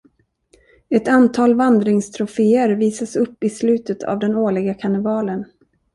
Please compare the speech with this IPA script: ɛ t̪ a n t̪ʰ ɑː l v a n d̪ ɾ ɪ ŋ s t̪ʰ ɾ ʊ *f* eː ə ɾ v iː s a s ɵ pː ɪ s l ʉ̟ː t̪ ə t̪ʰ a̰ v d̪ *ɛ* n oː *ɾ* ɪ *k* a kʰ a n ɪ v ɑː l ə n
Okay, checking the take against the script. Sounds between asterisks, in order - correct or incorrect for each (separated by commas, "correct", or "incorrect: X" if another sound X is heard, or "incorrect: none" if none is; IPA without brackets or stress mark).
correct, correct, incorrect: ɭ, incorrect: ɡ